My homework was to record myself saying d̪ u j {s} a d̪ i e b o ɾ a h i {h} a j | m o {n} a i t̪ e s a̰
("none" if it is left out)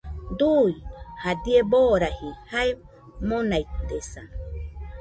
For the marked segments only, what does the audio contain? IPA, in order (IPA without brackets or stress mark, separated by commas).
h, h, n